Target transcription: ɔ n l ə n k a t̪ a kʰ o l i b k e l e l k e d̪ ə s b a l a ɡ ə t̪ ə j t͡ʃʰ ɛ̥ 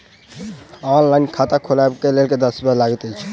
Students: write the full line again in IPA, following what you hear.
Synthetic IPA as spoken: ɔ n l a n kʰ a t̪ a kʰ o l a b k e l e l k e d̪ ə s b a l a ɡ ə t̪ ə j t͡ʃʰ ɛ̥

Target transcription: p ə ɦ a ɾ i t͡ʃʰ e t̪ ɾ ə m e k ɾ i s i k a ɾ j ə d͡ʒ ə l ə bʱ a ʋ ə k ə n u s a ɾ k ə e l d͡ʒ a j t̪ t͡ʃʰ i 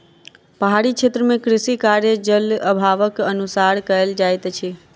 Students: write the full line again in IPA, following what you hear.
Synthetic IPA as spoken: p ə ɦ a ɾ i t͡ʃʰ e t̪ ɾ ə m e k ɾ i s i k a ɾ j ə d͡ʒ ə l ə bʱ a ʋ ə k ə n u s a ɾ k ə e l d͡ʒ a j t̪ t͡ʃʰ i

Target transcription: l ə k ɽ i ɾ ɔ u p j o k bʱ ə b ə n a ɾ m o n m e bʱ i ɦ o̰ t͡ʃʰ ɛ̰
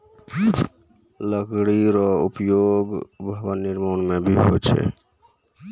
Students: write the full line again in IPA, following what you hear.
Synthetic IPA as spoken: l ə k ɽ i ɾ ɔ u p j o ɡ bʱ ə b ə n i ɾ m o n m e bʱ i ɦ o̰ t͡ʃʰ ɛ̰

